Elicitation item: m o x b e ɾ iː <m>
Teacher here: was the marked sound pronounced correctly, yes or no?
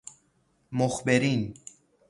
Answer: no